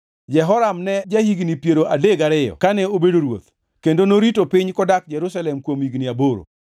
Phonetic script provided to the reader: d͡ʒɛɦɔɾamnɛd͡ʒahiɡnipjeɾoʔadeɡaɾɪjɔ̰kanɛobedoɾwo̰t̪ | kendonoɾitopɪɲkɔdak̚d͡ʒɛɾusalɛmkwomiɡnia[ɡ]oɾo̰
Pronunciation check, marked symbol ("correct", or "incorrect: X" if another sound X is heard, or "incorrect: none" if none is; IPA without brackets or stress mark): incorrect: b